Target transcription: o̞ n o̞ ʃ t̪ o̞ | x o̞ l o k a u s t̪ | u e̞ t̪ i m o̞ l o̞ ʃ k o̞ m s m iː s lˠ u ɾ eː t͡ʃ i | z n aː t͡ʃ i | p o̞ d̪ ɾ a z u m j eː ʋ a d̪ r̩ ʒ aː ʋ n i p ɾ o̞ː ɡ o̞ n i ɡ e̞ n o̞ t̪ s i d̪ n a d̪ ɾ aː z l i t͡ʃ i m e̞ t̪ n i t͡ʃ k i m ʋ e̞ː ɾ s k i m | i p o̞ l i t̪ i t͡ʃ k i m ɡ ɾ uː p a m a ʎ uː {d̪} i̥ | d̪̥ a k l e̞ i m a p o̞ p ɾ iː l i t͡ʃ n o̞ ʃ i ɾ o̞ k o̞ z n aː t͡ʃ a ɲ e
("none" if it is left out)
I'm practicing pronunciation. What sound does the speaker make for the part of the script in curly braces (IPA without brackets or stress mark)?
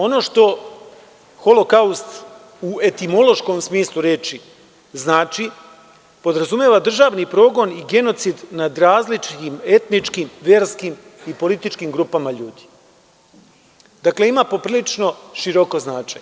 d̪